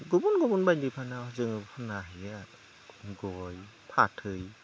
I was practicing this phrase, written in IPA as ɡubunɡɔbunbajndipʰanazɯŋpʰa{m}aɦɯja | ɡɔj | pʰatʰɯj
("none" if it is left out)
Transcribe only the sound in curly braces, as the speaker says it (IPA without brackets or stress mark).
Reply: n